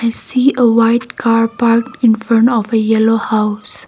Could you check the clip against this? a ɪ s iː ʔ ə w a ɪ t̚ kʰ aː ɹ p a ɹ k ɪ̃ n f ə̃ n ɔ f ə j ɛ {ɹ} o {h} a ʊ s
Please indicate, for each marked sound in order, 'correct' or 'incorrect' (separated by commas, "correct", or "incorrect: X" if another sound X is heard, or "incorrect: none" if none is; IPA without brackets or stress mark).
incorrect: l, correct